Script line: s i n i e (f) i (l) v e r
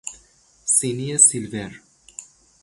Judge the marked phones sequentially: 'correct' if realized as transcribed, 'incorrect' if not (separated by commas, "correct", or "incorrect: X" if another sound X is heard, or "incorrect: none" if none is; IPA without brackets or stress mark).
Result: incorrect: s, correct